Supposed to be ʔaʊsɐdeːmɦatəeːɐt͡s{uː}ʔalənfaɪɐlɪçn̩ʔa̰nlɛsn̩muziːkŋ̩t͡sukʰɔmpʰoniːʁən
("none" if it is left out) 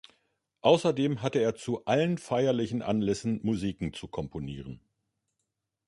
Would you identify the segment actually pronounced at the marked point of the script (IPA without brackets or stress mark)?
u